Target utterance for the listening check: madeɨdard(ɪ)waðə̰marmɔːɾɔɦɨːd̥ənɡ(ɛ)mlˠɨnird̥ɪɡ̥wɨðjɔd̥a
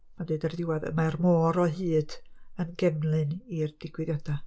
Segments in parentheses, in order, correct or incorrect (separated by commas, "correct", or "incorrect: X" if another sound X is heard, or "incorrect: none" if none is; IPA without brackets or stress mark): correct, correct